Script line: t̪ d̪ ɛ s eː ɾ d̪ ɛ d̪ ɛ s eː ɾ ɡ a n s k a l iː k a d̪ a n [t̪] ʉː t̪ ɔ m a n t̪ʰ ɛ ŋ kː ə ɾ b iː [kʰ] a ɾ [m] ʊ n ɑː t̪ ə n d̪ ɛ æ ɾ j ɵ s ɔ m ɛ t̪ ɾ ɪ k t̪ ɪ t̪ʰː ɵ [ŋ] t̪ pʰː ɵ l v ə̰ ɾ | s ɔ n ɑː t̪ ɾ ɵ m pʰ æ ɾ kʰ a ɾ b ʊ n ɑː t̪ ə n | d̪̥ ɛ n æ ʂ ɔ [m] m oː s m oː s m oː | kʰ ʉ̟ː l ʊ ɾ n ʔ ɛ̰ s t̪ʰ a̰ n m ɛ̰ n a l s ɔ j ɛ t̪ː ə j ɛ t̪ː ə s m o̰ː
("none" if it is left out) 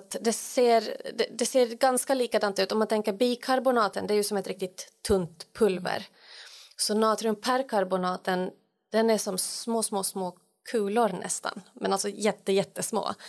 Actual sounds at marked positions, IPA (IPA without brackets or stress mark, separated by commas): t̪, kʰ, b, n, m